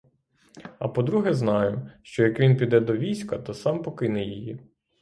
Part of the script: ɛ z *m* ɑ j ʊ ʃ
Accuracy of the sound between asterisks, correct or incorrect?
incorrect